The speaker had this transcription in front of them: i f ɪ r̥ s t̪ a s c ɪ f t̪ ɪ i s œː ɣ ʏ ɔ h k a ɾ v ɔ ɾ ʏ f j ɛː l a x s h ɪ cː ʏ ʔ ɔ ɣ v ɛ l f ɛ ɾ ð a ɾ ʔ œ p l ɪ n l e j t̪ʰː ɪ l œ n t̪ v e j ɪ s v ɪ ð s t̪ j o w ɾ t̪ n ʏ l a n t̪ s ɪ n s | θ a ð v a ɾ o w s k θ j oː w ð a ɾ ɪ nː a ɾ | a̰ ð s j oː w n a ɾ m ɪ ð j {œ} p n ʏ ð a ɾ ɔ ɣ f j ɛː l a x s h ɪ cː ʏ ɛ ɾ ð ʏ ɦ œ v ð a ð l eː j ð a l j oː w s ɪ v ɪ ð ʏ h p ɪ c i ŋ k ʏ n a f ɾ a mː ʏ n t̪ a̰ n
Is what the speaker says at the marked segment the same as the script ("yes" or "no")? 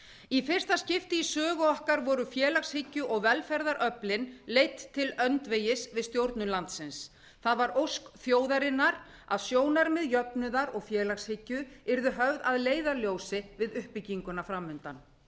yes